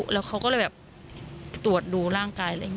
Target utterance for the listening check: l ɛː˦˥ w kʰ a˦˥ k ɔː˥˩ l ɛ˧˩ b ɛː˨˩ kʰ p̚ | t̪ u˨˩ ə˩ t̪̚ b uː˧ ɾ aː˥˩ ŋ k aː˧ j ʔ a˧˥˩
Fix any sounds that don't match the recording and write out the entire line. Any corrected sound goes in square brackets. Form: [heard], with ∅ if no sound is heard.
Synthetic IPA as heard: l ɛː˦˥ w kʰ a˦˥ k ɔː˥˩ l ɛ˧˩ b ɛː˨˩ [∅] p̚ | t̪ u˨˩ ə˩ t̪̚ [d] uː˧ ɾ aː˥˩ ŋ k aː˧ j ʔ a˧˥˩